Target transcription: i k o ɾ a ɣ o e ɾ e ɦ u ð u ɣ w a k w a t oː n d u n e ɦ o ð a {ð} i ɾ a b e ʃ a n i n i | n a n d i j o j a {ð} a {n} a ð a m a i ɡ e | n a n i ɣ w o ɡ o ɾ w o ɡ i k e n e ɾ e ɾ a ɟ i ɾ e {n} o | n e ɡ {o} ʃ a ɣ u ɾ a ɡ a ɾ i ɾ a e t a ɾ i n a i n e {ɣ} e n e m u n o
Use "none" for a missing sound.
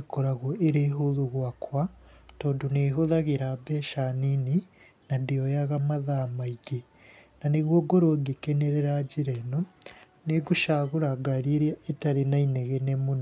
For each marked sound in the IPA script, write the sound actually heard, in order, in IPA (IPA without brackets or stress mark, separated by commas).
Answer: ɣ, ɣ, m, n, u, ɣ